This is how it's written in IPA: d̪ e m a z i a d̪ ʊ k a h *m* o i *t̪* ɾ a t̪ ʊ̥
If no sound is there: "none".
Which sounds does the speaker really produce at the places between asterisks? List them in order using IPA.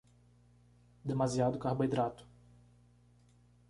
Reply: b, d̪

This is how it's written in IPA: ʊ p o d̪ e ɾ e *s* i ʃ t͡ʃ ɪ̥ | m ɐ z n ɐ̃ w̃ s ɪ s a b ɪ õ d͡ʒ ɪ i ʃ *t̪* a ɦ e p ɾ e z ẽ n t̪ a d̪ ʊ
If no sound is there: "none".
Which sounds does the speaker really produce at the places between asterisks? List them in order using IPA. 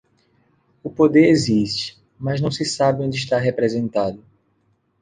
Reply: z, t̪

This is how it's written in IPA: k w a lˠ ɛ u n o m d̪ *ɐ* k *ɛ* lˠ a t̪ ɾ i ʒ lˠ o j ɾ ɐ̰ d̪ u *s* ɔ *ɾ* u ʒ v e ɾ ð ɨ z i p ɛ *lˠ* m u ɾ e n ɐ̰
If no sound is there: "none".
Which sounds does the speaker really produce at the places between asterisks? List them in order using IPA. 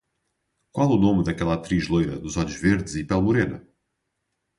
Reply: ɐ, ɛ, z, ʎ, lˠ

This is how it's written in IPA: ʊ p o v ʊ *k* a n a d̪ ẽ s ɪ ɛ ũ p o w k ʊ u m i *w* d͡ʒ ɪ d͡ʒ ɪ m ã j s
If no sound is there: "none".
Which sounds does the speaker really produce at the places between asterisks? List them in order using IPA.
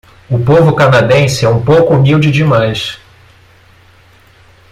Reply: k, w

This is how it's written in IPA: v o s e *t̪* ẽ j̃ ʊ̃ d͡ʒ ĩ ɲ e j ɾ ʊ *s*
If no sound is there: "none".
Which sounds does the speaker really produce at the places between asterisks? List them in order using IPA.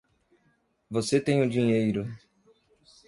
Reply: t̪, none

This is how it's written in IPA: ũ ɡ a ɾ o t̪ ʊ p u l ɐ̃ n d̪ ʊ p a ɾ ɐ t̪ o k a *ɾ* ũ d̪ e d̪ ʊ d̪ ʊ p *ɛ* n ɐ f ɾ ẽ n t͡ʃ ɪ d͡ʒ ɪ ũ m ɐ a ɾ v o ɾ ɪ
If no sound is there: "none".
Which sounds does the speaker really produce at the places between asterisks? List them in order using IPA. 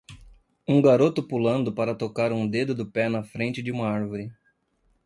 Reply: ɾ, ɛ

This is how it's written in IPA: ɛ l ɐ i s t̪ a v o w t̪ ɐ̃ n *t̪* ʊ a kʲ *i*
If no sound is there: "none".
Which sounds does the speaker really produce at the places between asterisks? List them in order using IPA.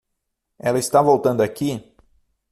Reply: d̪, i

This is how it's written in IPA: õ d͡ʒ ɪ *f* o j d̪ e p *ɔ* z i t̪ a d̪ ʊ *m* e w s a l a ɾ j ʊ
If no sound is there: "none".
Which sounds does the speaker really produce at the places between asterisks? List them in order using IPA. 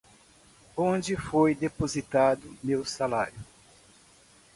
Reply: f, o, m

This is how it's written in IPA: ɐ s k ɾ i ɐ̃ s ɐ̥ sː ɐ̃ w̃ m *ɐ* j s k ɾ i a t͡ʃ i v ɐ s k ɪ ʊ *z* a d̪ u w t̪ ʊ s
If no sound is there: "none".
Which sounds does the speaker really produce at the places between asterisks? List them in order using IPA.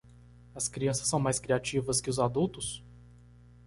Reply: a, z

